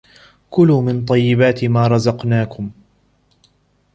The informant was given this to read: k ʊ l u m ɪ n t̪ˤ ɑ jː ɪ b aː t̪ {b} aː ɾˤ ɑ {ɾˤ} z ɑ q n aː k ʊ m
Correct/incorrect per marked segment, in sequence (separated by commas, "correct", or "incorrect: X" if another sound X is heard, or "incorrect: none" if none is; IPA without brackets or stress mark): incorrect: m, incorrect: none